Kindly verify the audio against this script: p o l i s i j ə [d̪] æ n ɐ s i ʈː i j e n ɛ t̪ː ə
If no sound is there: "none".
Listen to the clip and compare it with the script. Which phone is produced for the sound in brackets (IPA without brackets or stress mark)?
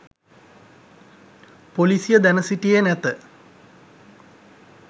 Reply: d̪